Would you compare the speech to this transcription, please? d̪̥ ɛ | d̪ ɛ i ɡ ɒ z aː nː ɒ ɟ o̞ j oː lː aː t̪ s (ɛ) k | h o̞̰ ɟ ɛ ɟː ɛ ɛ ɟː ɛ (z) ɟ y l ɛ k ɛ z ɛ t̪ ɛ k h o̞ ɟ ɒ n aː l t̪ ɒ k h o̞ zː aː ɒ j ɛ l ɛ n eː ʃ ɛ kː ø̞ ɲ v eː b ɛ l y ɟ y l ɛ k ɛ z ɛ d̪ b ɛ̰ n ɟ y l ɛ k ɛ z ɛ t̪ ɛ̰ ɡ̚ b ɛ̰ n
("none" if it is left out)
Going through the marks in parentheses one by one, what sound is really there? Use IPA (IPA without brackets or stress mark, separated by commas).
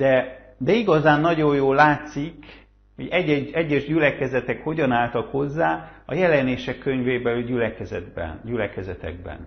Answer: i, ʒ